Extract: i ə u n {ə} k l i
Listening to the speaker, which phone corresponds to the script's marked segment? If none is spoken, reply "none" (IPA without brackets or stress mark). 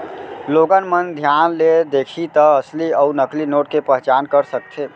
ə